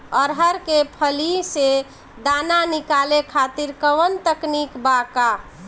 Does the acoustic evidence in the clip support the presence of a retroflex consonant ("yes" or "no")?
no